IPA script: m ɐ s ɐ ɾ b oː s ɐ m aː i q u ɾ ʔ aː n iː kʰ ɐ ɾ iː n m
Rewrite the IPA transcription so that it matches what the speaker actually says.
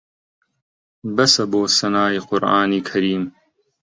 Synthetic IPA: b ɐ s ɐ b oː s ɐ n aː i q ʊ ɾ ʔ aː n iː kʰ ɐ ɾ iː m